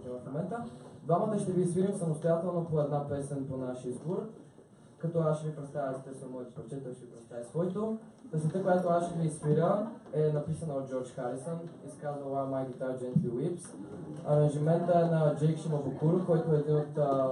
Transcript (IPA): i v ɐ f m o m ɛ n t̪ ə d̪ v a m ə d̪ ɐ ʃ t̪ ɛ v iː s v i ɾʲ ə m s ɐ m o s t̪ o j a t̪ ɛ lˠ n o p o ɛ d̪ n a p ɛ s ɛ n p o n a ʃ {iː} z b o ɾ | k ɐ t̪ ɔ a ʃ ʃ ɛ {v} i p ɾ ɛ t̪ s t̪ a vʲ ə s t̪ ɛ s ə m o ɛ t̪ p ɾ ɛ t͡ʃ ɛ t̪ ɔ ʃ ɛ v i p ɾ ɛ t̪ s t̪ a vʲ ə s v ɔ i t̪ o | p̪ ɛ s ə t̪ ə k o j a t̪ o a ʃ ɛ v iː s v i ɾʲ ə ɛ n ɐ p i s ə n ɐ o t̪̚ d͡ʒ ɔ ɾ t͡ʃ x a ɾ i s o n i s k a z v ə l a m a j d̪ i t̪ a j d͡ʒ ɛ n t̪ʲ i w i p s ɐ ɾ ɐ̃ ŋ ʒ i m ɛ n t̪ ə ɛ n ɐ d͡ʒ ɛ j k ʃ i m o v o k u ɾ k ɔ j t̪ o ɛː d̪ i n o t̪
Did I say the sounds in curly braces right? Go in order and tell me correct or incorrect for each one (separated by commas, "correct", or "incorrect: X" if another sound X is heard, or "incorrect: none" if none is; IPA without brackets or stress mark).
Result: incorrect: i, correct